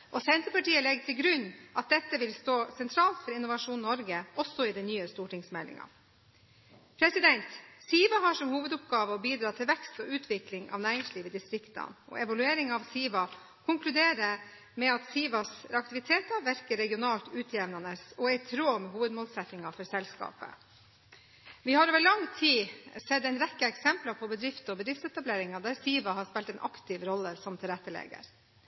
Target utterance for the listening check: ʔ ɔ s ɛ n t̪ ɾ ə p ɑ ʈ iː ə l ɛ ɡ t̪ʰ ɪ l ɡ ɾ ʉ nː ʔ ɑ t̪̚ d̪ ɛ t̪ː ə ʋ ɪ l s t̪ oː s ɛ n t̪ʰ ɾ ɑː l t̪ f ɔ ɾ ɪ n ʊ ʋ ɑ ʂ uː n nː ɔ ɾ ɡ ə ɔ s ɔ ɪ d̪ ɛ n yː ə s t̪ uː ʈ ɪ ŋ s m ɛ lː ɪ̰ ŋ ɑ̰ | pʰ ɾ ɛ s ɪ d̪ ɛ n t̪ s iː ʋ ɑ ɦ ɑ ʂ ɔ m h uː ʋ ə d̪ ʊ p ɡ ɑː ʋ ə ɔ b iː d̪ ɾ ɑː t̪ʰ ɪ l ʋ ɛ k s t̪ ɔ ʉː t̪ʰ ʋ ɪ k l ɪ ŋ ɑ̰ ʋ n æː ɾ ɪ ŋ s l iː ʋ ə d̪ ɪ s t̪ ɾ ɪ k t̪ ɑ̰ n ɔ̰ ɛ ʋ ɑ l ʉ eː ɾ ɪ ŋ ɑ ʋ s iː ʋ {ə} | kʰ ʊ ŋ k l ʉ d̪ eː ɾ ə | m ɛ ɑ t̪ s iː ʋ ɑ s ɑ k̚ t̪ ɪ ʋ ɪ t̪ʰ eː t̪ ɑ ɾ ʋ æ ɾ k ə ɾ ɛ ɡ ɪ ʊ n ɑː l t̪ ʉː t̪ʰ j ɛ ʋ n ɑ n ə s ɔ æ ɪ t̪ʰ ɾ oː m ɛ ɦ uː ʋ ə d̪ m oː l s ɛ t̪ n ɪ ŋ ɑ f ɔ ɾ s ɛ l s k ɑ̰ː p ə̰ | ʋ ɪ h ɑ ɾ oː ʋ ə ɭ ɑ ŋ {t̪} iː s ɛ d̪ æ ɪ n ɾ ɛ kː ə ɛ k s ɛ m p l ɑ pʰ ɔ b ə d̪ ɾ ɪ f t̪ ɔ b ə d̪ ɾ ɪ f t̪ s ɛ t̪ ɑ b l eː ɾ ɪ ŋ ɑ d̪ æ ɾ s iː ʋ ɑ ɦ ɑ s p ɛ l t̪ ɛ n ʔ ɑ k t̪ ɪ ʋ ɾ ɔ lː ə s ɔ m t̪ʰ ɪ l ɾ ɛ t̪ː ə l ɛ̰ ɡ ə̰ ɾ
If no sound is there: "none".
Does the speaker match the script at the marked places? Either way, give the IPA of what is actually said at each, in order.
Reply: ɑ, t̪ʰ

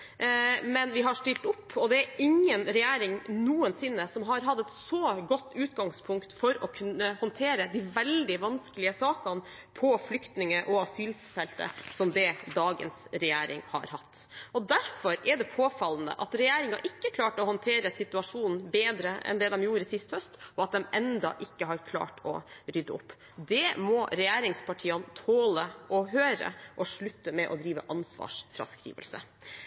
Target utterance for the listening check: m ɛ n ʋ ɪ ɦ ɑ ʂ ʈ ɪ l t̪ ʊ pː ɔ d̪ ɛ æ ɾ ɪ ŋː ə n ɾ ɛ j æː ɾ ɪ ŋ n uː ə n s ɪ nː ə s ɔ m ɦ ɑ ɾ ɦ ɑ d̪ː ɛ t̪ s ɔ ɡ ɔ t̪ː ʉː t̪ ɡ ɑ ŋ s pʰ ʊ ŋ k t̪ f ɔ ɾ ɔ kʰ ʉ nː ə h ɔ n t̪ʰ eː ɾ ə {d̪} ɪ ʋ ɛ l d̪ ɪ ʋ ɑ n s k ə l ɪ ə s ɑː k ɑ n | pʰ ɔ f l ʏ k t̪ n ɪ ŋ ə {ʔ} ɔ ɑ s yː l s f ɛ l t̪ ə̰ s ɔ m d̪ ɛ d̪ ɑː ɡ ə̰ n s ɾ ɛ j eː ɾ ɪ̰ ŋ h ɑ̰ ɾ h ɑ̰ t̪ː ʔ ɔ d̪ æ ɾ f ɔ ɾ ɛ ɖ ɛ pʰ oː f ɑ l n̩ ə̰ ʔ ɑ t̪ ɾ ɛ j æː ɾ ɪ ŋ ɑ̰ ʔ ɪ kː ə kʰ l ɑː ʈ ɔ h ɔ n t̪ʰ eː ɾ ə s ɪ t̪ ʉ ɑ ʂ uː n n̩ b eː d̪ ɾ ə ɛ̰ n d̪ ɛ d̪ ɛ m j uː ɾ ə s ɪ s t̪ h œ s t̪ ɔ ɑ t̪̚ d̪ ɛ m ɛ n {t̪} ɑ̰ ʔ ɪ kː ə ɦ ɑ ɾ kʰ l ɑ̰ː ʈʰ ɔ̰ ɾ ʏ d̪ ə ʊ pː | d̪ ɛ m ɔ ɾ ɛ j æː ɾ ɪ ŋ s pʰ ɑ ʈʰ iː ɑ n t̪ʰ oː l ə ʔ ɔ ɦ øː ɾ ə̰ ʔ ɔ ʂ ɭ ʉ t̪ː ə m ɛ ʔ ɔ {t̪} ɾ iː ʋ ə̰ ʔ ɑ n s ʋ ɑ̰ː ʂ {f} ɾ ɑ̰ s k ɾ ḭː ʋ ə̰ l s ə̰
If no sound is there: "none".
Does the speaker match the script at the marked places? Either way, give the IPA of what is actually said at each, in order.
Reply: d̪, ʔ, d̪, d̪, f

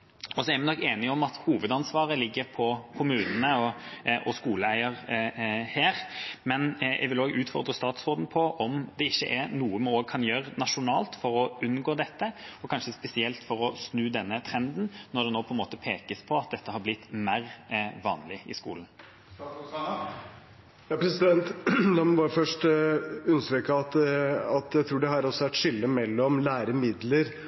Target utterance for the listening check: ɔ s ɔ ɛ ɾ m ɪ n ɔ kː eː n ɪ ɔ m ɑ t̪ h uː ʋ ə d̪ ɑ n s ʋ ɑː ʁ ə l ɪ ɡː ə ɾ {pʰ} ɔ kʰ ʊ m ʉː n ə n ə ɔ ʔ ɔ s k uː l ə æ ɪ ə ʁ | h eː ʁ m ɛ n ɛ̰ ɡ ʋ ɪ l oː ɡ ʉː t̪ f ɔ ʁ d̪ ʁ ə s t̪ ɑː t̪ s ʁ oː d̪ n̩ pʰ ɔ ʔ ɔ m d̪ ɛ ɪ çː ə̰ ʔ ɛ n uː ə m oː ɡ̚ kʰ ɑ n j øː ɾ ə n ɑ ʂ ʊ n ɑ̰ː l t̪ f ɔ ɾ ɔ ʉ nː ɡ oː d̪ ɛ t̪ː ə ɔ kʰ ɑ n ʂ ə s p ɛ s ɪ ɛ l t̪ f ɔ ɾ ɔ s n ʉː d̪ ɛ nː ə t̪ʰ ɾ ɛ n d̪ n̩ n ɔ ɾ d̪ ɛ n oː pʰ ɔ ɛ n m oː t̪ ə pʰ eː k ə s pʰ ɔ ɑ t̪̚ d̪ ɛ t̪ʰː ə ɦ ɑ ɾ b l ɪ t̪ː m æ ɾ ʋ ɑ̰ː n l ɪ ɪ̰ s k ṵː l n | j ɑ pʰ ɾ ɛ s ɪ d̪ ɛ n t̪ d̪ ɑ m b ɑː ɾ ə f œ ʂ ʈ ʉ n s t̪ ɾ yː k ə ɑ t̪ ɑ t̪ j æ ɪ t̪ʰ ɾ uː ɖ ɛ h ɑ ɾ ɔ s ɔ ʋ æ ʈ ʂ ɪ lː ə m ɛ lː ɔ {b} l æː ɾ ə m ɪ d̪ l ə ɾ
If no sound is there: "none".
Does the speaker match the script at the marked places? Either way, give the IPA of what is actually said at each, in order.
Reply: pʰ, m

